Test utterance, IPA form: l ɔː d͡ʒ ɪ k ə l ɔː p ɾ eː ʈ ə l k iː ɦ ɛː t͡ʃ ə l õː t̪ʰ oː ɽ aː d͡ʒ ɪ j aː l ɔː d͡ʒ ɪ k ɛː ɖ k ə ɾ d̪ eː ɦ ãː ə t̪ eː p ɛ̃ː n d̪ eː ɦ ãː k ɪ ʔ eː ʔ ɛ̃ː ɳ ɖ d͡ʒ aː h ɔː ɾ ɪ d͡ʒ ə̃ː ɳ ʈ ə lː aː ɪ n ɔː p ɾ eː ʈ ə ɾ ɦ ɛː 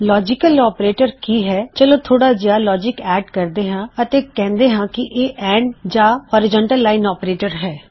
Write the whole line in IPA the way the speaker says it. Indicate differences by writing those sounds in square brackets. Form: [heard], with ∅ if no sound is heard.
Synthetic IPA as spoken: l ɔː d͡ʒ ɪ k ə l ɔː p ɾ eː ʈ ə [ɾ] k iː ɦ ɛː t͡ʃ ə l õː t̪ʰ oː ɽ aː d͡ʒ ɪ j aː l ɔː d͡ʒ ɪ k ɛː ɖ k ə ɾ d̪ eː ɦ ãː ə t̪ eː [k] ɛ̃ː n d̪ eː ɦ ãː k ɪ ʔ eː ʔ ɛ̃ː ɳ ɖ d͡ʒ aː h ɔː ɾ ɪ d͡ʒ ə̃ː ɳ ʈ ə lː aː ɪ n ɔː p ɾ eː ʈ ə ɾ ɦ ɛː